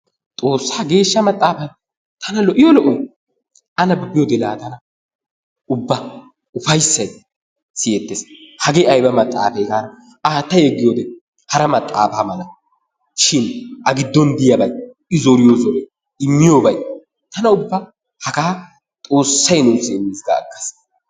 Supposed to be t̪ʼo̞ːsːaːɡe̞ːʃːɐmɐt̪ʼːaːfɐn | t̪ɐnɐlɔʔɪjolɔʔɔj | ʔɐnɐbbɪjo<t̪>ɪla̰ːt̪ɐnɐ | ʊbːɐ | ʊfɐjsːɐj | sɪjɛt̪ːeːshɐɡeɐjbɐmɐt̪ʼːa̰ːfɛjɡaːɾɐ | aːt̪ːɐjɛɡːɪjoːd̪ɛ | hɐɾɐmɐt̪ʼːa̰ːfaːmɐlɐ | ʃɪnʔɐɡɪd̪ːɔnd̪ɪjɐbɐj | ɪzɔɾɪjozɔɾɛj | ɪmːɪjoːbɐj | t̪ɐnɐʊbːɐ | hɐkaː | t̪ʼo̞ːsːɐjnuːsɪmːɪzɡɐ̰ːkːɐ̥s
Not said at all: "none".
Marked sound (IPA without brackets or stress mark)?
d̪